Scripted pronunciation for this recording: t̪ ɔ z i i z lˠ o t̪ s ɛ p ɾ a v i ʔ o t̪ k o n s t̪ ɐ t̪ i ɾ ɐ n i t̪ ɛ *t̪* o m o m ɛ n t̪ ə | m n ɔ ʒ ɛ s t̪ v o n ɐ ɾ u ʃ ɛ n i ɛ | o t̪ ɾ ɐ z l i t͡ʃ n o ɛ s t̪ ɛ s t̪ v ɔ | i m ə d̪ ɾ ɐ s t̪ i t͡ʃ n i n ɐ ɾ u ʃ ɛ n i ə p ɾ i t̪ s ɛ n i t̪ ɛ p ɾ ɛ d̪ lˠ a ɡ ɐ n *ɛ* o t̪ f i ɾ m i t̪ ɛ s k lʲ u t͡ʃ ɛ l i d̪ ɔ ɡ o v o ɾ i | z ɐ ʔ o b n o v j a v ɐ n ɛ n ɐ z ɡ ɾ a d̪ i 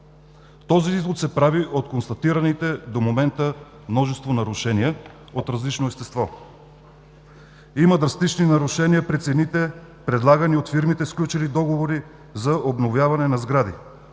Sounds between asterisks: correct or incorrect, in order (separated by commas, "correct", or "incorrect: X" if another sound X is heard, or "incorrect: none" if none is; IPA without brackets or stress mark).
incorrect: d̪, incorrect: i